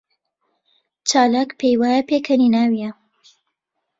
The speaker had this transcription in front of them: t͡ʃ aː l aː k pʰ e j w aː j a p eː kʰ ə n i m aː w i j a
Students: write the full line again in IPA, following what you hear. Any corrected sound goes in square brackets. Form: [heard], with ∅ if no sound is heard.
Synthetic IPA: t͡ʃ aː l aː k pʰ e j w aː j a p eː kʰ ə n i [n] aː w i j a